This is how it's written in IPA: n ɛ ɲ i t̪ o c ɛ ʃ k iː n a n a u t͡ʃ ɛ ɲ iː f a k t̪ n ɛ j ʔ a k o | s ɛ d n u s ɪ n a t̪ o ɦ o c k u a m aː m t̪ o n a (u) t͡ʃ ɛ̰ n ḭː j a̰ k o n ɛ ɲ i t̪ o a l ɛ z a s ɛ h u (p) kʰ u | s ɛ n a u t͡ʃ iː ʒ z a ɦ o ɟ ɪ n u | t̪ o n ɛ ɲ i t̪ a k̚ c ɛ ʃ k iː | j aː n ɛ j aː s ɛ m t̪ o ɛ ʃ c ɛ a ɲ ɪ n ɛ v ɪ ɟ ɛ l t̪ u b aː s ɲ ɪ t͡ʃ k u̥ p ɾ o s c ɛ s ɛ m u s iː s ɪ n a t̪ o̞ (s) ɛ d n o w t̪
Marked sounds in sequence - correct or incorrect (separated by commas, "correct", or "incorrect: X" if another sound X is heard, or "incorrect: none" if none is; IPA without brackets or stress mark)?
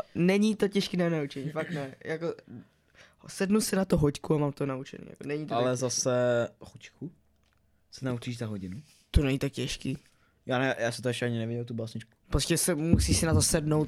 correct, incorrect: c, correct